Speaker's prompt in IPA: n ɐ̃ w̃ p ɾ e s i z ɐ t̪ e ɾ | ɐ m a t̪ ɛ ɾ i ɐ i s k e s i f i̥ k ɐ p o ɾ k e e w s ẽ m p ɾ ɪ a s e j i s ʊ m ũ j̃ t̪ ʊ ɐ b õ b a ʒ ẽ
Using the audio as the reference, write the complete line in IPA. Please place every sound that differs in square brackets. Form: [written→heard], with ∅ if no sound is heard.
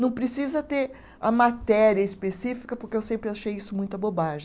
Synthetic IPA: n ɐ̃ w̃ p ɾ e s i z ɐ t̪ e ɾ | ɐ m a t̪ ɛ ɾ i ɐ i s [k→p] e s i f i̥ k ɐ p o ɾ k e e w s ẽ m p ɾ ɪ a [s→ʃ] e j i s ʊ m ũ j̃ t̪ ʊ ɐ b [õ→o] b a ʒ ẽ